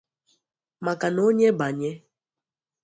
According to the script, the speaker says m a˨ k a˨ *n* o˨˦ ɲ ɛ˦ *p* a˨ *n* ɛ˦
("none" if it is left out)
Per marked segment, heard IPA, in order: n, b, ɲ

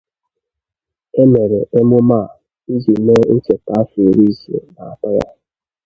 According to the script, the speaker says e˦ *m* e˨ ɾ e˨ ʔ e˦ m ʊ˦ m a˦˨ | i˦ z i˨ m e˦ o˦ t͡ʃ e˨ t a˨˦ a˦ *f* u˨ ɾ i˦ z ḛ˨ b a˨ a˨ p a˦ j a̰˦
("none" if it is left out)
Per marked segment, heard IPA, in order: m, f

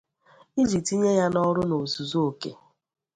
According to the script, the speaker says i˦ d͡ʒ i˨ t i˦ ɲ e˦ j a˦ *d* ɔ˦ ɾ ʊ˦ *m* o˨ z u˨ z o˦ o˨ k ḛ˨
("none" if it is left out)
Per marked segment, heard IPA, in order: n, n

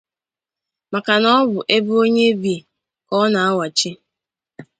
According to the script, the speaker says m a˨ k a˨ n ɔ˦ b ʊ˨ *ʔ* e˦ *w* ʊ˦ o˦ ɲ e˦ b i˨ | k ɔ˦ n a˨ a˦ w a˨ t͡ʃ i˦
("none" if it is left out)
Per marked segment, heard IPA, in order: ʔ, b

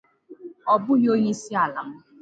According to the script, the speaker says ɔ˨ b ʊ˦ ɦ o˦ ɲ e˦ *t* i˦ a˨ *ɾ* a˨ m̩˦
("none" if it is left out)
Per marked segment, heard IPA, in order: s, l

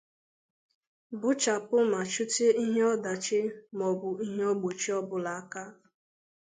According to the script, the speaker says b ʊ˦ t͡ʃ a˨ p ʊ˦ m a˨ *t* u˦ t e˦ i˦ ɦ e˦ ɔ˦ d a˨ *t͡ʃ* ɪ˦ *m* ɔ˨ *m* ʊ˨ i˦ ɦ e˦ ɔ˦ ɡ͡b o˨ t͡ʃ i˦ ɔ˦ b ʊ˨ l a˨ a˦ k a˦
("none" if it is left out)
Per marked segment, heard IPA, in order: t͡ʃ, t͡ʃ, m, b

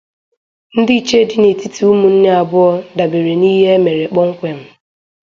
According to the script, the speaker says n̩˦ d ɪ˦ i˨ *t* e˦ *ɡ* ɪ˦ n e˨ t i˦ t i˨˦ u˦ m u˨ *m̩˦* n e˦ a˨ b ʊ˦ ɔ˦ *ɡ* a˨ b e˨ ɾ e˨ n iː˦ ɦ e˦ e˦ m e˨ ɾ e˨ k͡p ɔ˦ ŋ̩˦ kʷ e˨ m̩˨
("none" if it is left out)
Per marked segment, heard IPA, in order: t͡ʃ, d, n̩˦, d

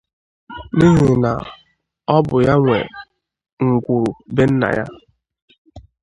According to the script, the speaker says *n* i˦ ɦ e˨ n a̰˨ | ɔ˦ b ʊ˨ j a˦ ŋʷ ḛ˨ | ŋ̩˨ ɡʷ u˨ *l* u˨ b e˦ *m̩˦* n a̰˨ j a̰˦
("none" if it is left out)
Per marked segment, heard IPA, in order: n, ɾ, n̩˦

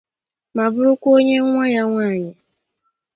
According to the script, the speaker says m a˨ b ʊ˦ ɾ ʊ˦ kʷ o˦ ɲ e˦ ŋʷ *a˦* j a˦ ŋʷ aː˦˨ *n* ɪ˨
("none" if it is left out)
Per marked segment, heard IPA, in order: a˦, ɲ

